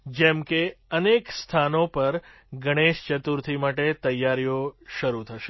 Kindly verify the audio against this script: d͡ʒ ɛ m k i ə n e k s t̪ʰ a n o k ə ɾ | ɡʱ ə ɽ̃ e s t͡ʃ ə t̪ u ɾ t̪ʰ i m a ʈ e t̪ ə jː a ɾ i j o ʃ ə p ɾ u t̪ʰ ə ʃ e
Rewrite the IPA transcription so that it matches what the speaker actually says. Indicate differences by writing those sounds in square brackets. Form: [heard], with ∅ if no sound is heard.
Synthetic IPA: d͡ʒ ɛ m k [e] ə n e k s t̪ʰ a n o [p] ə ɾ | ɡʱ ə ɽ̃ e [ʃ] t͡ʃ ə t̪ u ɾ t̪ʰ i m a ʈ e t̪ ə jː a ɾ i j o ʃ ə [∅] ɾ u t̪ʰ ə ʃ e